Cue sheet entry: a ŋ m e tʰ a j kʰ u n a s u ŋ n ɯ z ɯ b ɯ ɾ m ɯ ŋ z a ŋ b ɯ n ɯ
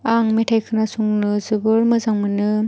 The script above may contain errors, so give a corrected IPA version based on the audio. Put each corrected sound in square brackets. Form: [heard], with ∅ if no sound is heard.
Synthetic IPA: a ŋ m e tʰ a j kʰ [ɯ] n a s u ŋ n ɯ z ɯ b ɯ ɾ m ɯ [∅] z a ŋ [m] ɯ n ɯ